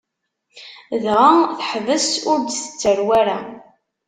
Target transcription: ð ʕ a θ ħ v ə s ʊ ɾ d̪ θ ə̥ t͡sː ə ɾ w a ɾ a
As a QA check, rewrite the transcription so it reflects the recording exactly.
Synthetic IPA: ð ʁ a θ ħ v ə s ʊ ɾ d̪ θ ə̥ t͡sː ə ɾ w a ɾ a